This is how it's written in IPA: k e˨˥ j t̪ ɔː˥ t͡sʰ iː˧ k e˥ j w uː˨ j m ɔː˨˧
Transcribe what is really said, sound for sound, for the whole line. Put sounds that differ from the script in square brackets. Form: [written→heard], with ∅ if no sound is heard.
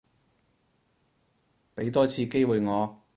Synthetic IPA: [k→p] e˨˥ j t̪ ɔː˥ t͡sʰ iː˧ k e˥ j w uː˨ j [m→ŋ] ɔː˨˧